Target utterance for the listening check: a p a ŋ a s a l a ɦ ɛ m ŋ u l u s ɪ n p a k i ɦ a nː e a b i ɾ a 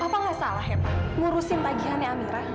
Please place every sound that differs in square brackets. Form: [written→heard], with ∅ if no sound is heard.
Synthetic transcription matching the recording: a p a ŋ a s a l a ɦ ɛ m ŋ u [l→ɾ] u s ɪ n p a [k→ɡ] i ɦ a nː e a [b→m] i ɾ a